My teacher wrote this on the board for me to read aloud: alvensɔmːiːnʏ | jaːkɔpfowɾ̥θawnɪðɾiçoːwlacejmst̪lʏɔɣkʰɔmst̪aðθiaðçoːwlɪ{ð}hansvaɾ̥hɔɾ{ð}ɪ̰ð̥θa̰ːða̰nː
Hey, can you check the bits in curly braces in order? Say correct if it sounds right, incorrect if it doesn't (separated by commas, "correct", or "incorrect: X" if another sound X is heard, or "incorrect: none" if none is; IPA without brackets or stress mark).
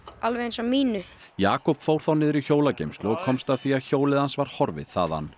correct, incorrect: v